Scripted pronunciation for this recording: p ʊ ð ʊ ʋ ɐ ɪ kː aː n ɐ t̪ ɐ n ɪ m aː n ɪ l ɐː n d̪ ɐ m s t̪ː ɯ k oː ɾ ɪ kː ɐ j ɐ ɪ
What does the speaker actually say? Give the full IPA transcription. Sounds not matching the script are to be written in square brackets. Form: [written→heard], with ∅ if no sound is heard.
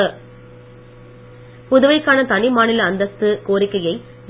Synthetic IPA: p ʊ ð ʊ ʋ ɐ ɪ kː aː n ɐ t̪ ɐ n ɪ m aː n ɪ l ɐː n d̪ ɐ [m→∅] s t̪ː ɯ k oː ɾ ɪ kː ɐ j ɐ ɪ